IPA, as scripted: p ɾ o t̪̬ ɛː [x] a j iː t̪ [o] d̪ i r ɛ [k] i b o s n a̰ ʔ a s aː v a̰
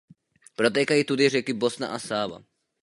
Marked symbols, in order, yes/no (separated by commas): no, no, yes